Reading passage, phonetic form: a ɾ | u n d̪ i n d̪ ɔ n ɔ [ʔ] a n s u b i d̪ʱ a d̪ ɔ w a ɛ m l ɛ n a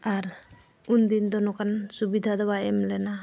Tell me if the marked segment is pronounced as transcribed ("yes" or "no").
no